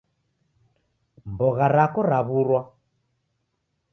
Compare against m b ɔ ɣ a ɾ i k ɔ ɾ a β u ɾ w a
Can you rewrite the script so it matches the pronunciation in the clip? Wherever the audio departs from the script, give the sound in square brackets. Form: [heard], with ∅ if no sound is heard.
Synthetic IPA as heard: m b ɔ ɣ a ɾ [a] k ɔ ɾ a β u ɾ w a